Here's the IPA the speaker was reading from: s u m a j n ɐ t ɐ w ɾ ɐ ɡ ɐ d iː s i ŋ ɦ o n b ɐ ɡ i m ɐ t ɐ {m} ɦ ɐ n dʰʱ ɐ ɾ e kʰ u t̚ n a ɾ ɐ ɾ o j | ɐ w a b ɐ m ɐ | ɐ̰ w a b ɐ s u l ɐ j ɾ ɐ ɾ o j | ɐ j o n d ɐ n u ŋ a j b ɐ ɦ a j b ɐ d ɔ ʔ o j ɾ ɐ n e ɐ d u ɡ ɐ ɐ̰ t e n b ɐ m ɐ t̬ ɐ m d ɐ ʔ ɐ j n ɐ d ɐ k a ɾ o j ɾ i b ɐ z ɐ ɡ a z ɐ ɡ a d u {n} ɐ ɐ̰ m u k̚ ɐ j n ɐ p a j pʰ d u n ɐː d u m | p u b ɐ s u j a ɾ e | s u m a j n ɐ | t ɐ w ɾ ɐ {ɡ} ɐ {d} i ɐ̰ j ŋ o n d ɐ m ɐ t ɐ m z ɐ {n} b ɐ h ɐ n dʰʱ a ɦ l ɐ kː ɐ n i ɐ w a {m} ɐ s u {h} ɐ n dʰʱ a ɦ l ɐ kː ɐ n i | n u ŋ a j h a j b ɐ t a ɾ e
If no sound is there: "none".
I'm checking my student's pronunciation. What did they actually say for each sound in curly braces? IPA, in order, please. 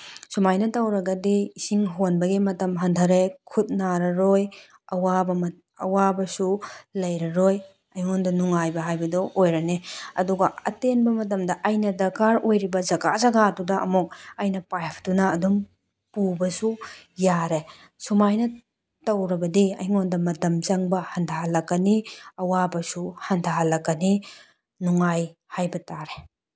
m, d, b, d, ŋ, b, h

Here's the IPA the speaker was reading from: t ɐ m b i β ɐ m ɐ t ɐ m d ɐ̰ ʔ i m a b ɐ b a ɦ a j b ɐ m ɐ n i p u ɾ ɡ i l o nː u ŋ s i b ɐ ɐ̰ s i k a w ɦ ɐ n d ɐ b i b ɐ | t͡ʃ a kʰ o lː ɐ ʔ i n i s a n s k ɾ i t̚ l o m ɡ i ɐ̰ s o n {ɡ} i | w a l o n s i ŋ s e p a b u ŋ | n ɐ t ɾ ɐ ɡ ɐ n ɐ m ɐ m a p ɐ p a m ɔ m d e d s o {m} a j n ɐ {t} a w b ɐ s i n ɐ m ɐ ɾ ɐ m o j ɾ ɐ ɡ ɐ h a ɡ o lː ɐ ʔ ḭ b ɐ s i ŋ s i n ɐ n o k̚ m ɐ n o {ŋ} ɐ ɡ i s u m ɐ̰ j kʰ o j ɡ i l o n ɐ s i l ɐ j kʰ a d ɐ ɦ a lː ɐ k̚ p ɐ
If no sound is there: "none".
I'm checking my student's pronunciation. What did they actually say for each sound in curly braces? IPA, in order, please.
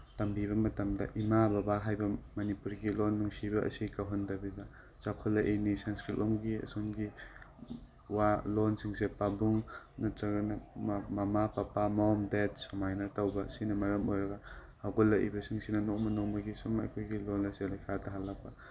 ɡ, m, t, m

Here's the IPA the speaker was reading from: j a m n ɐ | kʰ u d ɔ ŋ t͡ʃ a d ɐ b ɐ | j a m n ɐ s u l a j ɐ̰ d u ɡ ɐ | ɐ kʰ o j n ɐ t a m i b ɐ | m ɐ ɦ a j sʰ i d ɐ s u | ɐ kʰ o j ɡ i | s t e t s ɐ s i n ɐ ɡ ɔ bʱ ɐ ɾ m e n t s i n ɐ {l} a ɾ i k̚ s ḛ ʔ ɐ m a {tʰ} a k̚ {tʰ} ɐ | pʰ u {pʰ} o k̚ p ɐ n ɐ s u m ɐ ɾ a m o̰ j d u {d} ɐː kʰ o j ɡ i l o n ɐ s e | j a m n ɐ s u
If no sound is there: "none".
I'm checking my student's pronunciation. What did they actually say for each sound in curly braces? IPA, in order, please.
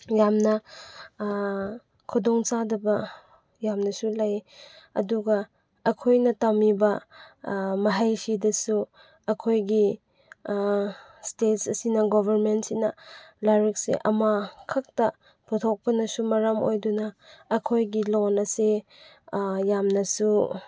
l, kʰ, t, tʰ, n

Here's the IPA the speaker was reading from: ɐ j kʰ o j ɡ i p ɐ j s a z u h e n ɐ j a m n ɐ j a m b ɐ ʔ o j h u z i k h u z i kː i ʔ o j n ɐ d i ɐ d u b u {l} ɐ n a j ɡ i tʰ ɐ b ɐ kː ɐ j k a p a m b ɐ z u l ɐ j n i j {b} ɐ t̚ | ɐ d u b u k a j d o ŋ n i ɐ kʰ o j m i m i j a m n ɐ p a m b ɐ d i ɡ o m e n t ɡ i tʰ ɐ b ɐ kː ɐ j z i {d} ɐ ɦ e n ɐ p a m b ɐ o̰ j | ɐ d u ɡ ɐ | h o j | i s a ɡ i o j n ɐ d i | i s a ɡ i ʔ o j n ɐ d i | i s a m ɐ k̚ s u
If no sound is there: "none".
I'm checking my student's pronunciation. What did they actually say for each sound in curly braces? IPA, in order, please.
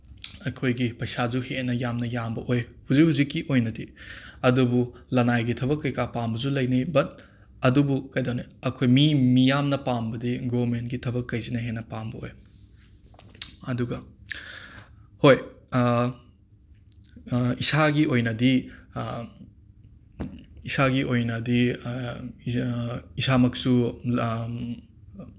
l, b, n

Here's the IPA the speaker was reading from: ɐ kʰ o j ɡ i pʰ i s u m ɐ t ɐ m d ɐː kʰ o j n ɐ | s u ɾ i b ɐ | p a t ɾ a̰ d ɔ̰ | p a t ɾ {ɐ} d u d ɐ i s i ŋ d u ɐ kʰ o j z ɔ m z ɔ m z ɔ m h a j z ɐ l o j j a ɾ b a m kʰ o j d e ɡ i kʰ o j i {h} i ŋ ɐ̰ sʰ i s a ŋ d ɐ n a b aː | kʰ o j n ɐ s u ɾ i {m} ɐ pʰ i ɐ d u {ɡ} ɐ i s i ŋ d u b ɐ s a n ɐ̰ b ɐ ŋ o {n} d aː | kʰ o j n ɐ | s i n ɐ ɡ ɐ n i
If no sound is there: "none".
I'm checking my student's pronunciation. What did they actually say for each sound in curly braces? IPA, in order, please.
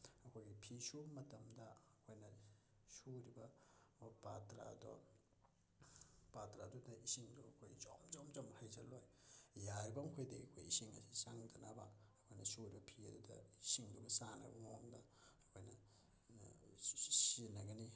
a, s, b, d, ŋ

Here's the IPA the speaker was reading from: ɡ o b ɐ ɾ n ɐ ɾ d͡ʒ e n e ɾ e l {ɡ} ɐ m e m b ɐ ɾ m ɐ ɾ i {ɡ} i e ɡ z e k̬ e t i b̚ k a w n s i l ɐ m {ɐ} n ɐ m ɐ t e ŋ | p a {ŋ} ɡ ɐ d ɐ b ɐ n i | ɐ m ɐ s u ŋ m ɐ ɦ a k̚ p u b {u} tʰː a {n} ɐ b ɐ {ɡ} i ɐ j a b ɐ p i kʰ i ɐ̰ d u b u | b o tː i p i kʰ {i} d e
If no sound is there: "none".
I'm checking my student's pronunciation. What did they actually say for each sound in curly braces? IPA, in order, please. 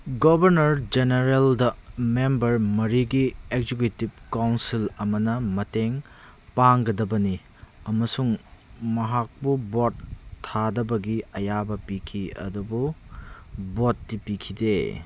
d, ɡ, ɐ, ŋ, o, d, ɡ, i

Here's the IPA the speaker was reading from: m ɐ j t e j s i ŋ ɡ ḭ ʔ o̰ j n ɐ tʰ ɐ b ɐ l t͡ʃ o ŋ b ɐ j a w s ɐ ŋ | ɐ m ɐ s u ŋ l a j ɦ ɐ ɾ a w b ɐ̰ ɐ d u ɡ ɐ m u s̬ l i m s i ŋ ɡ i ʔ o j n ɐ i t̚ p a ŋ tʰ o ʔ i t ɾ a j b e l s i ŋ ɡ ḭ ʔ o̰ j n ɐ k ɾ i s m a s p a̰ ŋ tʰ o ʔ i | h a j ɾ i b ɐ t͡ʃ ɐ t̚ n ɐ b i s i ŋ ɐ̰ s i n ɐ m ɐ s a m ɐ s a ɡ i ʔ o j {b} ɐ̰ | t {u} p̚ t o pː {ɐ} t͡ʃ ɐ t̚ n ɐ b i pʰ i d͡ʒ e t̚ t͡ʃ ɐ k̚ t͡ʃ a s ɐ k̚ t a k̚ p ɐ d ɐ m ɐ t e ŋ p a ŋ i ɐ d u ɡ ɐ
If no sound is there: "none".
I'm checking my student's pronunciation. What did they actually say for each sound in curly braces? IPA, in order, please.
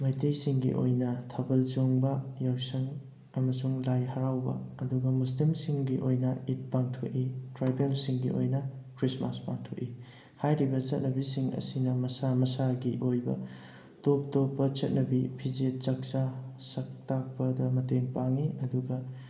b, o, ɐ

